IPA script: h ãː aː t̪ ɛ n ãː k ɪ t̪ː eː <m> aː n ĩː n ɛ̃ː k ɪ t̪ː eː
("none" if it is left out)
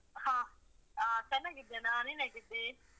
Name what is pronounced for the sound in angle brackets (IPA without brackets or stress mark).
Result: n